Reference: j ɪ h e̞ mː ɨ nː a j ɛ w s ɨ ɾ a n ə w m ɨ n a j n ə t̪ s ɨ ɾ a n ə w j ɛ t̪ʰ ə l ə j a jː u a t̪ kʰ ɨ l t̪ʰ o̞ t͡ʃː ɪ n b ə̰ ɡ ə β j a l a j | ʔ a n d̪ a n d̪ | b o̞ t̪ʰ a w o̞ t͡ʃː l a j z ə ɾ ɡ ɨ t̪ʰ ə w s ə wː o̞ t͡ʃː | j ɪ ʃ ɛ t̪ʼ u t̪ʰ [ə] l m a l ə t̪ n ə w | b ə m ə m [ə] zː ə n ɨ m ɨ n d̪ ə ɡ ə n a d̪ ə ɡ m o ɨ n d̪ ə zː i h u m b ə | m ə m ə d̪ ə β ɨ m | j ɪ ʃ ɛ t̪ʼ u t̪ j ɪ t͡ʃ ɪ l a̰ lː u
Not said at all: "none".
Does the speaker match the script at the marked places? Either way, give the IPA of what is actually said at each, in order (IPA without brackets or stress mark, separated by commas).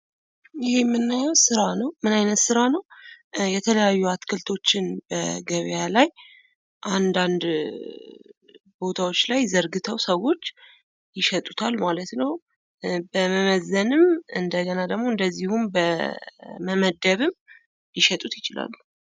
a, ə